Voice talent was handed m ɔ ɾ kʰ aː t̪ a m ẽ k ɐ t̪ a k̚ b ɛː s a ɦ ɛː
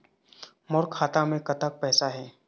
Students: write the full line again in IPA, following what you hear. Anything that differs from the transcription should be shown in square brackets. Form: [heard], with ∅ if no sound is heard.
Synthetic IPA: m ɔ ɾ kʰ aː t̪ a m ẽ k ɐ t̪ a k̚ [p] ɛː s a ɦ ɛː